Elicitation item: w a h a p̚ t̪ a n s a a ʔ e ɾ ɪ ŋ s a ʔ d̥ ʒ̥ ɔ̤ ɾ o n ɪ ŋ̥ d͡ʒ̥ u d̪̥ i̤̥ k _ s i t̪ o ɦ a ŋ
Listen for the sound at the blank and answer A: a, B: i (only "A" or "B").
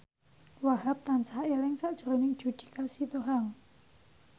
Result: A